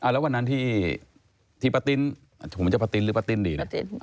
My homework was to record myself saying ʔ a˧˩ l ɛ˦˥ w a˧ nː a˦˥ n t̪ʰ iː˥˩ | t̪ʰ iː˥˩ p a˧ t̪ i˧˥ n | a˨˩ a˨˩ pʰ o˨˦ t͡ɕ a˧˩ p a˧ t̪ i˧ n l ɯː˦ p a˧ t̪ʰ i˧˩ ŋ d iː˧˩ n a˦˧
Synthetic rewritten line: ʔ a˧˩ l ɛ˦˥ w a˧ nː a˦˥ n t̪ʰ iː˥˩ | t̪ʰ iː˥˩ p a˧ t̪ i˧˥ n | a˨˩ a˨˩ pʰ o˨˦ t͡ɕ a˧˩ p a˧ t̪ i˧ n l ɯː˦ p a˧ t̪ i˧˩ n d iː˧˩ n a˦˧